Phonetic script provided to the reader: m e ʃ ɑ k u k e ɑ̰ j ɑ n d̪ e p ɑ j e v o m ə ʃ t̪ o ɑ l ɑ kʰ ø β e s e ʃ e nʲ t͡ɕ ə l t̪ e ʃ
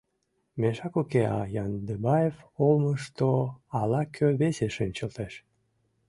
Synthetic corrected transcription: m e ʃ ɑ k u k e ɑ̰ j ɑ n d̪ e b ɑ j e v o m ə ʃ t̪ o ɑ l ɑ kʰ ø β e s e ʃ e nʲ t͡ɕ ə l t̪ e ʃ